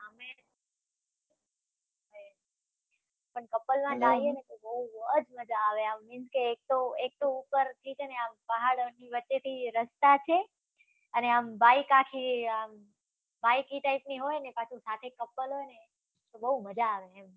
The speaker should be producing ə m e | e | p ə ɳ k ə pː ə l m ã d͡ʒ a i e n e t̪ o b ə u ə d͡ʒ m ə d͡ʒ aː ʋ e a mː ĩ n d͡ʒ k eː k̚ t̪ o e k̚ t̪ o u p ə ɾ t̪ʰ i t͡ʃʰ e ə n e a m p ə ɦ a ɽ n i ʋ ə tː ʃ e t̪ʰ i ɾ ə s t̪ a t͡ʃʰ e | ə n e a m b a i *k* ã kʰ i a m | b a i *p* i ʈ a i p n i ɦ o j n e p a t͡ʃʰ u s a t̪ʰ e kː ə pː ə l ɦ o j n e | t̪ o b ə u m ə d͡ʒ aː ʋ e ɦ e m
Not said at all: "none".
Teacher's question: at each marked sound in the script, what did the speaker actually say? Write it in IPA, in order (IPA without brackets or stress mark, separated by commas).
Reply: k, k